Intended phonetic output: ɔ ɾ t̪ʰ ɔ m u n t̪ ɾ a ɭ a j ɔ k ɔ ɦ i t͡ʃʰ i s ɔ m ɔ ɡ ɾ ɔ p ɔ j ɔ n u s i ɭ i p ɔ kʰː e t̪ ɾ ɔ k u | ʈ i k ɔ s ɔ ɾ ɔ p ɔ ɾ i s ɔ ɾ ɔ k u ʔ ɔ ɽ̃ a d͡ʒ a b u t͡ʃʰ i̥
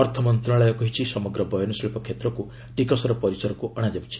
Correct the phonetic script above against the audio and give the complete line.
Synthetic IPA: ɔ ɾ t̪ʰ ɔ m ɔ n t̪ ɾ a ɭ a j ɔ k ɔ ɦ i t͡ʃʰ i s ɔ m ɔ ɡ ɾ ɔ b ɔ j ɔ n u s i ɭ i p ɔ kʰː e t̪ ɾ ɔ k u | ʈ i k ɔ s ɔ ɾ ɔ p ɔ ɾ i s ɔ ɾ ɔ k u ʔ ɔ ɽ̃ a d͡ʒ a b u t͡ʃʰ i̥

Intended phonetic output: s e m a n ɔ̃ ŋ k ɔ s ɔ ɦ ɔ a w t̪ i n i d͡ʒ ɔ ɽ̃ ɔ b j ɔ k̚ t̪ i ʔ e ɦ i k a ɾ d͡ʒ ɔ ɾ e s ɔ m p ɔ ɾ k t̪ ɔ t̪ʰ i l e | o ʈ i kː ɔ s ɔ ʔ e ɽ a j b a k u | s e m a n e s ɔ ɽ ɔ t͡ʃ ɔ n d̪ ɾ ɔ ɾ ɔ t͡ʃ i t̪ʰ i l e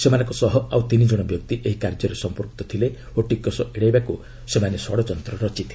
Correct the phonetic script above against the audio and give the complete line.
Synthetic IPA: s e m a n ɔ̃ ŋ k ɔ s ɔ ɦ ɔ a w t̪ i n i d͡ʒ ɔ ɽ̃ ɔ b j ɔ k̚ t̪ i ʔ e ɦ i k a ɾ d͡ʒ ɔ ɾ e s ɔ m p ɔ ɾ k t̪ ɔ t̪ʰ i l e | o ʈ i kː ɔ s ɔ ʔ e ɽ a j b a k u | s e m a n e s ɔ ɽ ɔ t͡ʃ ɔ n t̪ ɾ ɔ ɾ ɔ t͡ʃ i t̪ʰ i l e

